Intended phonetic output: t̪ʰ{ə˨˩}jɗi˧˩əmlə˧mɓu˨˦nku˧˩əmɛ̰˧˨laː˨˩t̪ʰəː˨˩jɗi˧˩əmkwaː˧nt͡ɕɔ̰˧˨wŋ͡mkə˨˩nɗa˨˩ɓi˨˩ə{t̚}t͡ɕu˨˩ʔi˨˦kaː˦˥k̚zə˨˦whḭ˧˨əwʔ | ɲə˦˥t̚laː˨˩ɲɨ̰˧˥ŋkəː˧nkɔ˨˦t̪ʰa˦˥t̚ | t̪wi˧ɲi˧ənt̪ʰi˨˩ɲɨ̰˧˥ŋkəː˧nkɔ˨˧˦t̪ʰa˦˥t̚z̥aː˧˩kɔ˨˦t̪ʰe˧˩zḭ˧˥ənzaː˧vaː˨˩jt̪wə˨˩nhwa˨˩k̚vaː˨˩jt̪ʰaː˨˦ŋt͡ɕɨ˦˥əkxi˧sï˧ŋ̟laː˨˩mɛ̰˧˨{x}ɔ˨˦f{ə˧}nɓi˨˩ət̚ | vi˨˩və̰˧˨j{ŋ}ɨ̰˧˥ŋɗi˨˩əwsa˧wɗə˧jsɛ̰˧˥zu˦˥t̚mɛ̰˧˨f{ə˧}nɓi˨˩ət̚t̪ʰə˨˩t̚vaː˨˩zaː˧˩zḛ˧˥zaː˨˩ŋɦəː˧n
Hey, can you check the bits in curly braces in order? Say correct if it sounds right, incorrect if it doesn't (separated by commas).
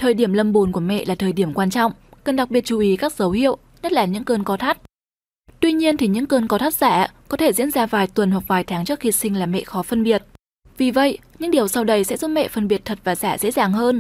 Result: incorrect, correct, correct, correct, incorrect, correct